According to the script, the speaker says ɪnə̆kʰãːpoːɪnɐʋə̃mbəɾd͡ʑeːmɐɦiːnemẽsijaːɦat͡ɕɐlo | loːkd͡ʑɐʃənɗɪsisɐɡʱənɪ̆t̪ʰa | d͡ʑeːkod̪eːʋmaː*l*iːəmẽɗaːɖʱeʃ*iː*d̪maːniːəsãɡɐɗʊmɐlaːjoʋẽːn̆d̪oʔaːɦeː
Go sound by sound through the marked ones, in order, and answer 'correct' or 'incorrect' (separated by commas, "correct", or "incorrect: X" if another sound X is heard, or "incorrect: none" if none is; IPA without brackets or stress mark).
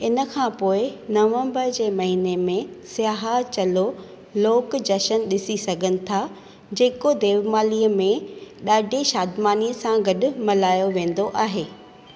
correct, incorrect: aː